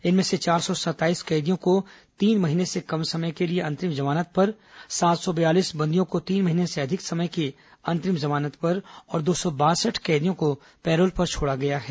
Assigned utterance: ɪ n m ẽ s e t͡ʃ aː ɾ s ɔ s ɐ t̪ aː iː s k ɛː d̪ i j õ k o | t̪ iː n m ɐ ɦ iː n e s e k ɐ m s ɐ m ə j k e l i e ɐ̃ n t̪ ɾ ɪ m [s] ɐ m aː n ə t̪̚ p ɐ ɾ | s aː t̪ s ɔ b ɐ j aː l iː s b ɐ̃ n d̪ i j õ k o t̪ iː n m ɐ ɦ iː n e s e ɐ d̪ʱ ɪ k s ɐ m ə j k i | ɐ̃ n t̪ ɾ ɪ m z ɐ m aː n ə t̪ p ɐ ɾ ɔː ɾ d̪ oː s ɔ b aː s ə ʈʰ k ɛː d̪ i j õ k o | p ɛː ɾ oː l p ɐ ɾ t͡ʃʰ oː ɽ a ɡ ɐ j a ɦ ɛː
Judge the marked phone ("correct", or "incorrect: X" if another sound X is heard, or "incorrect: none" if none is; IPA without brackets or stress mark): incorrect: z